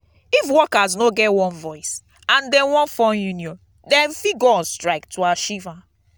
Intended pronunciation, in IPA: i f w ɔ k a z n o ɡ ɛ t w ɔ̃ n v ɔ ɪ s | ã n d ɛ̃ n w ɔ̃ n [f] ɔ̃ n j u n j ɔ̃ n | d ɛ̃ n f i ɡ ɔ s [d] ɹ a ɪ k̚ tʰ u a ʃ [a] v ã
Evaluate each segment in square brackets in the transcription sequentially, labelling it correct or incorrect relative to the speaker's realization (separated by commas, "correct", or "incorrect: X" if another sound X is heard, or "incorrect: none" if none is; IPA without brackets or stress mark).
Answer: correct, incorrect: t, incorrect: i